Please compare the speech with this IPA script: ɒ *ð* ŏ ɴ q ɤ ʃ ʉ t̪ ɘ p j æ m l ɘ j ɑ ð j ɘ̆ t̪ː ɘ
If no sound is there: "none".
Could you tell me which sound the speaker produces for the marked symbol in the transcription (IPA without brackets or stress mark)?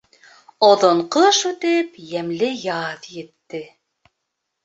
ð